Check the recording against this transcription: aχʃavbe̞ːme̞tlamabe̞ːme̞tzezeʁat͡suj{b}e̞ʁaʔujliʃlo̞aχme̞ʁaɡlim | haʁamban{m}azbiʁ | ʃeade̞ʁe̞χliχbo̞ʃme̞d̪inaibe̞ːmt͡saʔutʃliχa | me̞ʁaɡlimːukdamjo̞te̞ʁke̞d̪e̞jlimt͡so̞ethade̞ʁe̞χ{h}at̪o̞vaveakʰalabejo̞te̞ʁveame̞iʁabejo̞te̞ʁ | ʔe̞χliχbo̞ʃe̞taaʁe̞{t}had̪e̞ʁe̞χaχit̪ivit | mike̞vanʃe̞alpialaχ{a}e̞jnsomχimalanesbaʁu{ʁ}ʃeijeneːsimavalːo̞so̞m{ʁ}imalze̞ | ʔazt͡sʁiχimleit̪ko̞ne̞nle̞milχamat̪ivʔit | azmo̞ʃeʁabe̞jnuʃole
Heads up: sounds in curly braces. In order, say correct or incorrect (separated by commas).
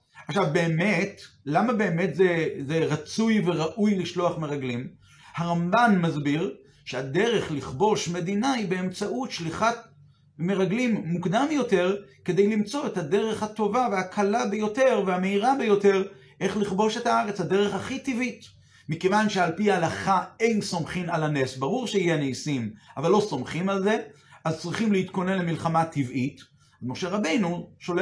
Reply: incorrect, correct, correct, incorrect, correct, correct, incorrect